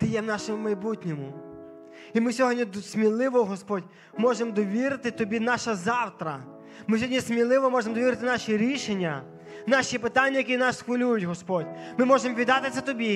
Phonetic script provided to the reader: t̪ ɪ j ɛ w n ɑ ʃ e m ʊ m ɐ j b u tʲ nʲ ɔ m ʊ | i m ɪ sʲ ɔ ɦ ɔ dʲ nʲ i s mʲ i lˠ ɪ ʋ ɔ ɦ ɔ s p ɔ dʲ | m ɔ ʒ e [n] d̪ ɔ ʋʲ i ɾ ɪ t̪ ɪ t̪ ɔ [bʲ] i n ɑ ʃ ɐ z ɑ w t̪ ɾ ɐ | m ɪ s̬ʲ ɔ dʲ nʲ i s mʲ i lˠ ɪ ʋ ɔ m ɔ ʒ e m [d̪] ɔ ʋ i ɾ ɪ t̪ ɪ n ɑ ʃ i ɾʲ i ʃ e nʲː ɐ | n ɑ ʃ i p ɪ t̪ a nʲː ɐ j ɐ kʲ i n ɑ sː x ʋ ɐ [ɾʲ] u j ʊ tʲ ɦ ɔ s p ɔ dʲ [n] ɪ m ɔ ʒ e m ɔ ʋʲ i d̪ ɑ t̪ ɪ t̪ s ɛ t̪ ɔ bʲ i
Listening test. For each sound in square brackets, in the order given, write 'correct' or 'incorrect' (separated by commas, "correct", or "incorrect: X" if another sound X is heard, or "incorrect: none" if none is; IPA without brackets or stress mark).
incorrect: m, correct, correct, incorrect: lʲ, incorrect: m